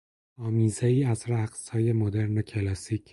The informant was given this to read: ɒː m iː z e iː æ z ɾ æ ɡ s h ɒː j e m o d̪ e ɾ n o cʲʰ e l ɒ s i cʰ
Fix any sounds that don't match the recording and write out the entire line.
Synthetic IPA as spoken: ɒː m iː z e iː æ z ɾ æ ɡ s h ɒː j e m o d̪ e ɾ n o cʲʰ e l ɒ s i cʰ

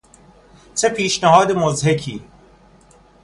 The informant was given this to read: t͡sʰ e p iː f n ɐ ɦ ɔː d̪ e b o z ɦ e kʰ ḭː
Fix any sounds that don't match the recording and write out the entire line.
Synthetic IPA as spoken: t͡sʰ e p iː ʃ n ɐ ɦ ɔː d̪ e m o z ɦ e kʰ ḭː

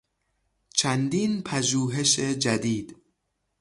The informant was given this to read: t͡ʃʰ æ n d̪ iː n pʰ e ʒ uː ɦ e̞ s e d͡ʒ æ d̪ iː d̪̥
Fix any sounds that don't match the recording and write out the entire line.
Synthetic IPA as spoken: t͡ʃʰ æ n d̪ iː n pʰ æ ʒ uː ɦ e̞ ʃ e d͡ʒ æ d̪ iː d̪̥

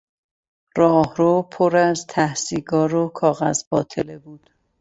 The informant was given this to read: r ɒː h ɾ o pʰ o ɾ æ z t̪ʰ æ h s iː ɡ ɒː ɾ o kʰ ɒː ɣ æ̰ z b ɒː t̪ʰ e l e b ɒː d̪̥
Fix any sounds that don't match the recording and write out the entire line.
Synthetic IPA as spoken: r ɒː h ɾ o pʰ o ɾ æ z t̪ʰ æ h s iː ɡ ɒː ɾ o kʰ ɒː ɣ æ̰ z b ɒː t̪ʰ e l e b uː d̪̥

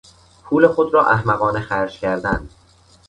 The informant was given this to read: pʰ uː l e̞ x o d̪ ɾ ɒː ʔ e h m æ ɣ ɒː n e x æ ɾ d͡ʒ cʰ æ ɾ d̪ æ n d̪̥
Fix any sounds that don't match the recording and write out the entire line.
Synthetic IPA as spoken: pʰ uː l e̞ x o d̪ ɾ ɒː ʔ æ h m æ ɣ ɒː n e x æ ɾ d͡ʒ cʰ æ ɾ d̪ æ n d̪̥

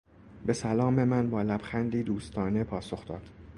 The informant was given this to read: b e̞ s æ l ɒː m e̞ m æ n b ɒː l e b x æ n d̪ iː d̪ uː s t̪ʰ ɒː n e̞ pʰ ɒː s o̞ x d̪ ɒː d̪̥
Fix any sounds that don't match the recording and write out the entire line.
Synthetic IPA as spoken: b e̞ s æ l ɒː m e̞ m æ n b ɒː l æ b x æ n d̪ iː d̪ uː s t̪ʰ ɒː n e̞ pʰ ɒː s o̞ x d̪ ɒː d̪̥

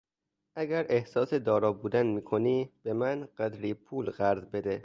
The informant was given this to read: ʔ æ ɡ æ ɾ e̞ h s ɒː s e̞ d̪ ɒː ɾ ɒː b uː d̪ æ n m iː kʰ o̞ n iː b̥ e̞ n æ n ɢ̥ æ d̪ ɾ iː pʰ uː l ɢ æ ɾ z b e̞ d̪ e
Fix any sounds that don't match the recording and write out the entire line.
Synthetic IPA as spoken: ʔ æ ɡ æ ɾ e̞ h s ɒː s e̞ d̪ ɒː ɾ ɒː b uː d̪ æ n m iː kʰ o̞ n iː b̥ e̞ m æ n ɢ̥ æ d̪ ɾ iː pʰ uː l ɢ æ ɾ z b e̞ d̪ e

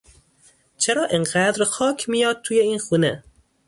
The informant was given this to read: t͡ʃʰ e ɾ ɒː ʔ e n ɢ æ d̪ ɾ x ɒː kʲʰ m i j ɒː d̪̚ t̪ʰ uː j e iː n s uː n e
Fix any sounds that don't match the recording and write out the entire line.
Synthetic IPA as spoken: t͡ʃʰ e ɾ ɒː ʔ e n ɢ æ d̪ ɾ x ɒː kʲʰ m i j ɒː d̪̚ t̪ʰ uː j e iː n x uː n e

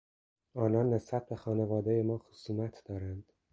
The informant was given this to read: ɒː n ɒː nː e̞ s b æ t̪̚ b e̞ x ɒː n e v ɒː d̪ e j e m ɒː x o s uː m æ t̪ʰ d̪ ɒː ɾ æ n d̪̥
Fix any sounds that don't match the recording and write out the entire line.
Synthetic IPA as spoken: ɒː n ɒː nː e̞ s b æ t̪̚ b e̞ x ɒː n e v ɒː d̪ e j e m ɒː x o s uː m æ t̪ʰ d̪ ɒː ɾ æ n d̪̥

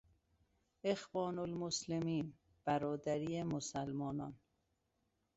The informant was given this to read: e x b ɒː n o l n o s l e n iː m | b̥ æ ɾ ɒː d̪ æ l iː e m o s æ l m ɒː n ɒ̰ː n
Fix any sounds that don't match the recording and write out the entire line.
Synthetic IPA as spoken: e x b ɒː n o l m o s l e m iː n | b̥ æ ɾ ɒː d̪ æ ɾ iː e m o s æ l m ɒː n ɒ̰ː n

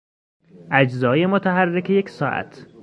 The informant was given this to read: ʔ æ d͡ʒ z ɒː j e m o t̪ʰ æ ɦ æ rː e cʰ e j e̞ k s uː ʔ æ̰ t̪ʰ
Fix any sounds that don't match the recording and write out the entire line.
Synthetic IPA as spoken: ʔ æ d͡ʒ z ɒː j e m o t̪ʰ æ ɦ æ rː e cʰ e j e̞ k s ɒː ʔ æ̰ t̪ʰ

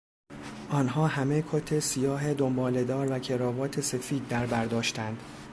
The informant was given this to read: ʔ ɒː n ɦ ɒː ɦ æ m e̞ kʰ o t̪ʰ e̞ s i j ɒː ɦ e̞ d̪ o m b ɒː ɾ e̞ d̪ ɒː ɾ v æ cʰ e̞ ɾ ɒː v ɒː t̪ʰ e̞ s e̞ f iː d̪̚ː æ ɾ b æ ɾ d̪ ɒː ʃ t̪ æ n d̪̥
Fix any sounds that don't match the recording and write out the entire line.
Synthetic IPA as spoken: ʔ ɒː n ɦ ɒː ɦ æ m e̞ kʰ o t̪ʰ e̞ s i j ɒː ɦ e̞ d̪ o m b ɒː l e̞ d̪ ɒː ɾ v æ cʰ e̞ ɾ ɒː v ɒː t̪ʰ e̞ s e̞ f iː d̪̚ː æ ɾ b æ ɾ d̪ ɒː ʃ t̪ æ n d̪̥

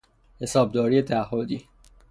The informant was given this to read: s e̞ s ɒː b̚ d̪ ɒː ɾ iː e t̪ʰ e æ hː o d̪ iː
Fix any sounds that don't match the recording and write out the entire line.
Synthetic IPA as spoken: h e̞ s ɒː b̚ d̪ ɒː ɾ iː e t̪ʰ æ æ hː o d̪ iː

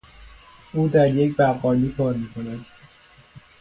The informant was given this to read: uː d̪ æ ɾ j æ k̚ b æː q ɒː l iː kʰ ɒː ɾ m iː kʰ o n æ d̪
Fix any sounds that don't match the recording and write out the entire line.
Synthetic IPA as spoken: uː d̪ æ ɾ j e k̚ b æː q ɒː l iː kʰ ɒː ɾ m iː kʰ o n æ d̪

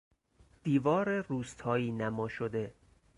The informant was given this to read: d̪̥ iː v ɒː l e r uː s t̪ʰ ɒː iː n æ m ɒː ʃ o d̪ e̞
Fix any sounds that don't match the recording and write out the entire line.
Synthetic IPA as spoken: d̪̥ iː v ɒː ɾ e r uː s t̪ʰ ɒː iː n æ m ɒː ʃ o d̪ e̞

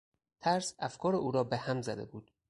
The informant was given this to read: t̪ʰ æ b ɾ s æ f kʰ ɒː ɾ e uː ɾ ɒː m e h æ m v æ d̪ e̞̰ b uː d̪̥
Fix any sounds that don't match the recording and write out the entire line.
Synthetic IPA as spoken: t̪ʰ æ ɾ s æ f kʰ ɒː ɾ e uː ɾ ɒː b e h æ m z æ d̪ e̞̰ b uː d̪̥

